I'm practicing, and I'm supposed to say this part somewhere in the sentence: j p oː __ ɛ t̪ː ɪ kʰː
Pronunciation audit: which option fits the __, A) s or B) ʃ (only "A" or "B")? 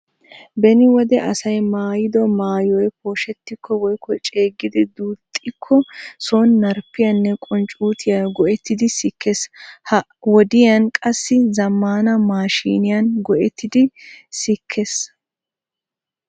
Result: B